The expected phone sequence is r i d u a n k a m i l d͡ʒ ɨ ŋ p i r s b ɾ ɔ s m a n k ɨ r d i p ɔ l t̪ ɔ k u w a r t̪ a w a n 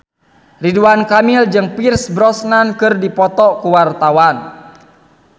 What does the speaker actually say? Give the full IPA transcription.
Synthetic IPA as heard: r i d u a n k a m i l d͡ʒ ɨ ŋ p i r s b ɾ ɔ s n a n k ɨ r d i p ɔ t̪ ɔ k u w a r t̪ a w a n